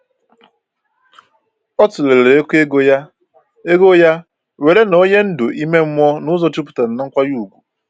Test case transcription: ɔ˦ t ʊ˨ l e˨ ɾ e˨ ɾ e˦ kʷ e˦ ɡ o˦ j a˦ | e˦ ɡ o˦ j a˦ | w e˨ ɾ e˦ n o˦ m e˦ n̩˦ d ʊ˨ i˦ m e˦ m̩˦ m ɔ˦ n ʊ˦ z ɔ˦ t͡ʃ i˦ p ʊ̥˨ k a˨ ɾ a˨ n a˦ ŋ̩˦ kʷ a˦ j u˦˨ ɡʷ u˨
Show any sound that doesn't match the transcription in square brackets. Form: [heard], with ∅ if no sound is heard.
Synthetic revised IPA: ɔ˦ t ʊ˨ l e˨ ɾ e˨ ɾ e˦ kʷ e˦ ɡ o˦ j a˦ | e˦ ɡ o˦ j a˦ | w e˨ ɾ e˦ n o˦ [ɲ] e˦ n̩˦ d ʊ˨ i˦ m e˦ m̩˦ m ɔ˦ n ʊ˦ z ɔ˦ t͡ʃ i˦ p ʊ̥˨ [t] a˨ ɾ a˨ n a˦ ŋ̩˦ kʷ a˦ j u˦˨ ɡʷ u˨

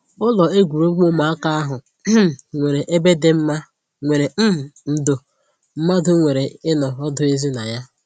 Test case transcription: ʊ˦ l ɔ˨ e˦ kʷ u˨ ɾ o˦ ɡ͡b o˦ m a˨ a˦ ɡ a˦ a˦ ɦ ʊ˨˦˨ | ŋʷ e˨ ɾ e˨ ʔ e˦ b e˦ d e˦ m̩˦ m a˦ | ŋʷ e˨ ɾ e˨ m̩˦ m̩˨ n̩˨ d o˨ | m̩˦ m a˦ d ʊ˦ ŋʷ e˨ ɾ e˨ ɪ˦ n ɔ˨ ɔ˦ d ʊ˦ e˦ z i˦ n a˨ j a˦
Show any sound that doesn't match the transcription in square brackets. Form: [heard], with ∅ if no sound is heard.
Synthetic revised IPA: ʊ˦ l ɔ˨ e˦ [ɡʷ] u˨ ɾ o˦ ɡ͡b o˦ m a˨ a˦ [k] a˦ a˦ ɦ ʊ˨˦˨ | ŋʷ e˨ ɾ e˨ ʔ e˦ b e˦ d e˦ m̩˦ m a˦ | ŋʷ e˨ ɾ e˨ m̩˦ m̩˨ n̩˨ d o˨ | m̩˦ m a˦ d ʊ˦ ŋʷ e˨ ɾ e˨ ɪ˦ n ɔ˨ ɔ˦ d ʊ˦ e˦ z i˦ n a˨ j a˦

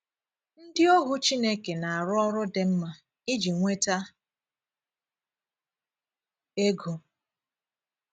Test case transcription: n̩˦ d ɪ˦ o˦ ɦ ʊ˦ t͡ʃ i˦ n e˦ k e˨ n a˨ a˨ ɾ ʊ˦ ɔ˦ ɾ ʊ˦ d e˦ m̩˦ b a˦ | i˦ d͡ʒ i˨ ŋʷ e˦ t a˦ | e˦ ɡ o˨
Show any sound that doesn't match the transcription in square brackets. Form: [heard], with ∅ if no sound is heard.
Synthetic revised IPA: n̩˦ d ɪ˦ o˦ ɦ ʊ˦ t͡ʃ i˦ n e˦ k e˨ n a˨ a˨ ɾ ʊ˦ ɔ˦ ɾ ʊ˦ d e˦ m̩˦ [m] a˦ | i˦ d͡ʒ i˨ ŋʷ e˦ t a˦ | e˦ ɡ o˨

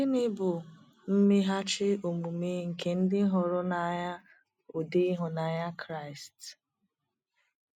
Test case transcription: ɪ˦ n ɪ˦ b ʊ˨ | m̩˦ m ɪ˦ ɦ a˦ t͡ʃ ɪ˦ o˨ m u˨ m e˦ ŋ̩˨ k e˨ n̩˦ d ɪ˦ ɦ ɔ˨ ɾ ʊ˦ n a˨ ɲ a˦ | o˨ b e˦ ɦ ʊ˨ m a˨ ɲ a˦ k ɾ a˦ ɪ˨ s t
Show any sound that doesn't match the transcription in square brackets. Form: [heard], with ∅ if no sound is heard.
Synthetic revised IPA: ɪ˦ n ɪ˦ b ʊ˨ | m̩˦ m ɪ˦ ɦ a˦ t͡ʃ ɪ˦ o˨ m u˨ m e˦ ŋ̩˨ k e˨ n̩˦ d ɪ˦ ɦ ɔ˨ ɾ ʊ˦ n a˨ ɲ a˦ | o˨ [d] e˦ ɦ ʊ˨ [n] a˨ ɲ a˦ k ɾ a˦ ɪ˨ s t

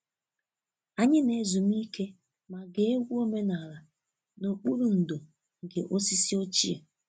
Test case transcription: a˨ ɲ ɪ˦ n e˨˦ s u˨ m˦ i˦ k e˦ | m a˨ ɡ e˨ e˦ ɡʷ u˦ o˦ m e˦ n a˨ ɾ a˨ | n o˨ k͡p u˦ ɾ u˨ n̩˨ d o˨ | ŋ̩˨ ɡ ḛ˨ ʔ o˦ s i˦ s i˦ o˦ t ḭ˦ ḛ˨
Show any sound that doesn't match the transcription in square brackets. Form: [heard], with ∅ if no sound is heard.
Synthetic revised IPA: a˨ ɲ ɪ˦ n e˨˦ [z] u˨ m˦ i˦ k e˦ | m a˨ ɡ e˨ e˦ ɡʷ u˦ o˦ m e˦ n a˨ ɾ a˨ | n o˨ k͡p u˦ ɾ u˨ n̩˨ d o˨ | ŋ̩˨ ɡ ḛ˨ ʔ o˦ s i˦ s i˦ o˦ [t͡ʃ] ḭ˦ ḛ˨

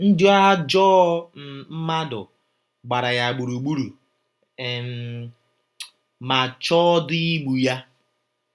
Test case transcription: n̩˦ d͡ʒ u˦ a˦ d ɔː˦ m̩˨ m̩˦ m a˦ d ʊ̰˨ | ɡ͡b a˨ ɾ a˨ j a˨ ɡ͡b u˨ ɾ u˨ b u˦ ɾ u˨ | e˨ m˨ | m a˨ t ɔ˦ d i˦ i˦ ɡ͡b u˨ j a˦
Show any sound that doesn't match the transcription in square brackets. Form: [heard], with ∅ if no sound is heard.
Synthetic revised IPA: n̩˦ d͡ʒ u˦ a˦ [d͡ʒ] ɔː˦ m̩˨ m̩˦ m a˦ d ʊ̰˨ | ɡ͡b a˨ ɾ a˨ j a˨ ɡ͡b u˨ ɾ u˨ [ɡ͡b] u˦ ɾ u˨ | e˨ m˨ | m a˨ [t͡ʃ] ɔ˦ d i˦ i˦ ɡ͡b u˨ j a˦

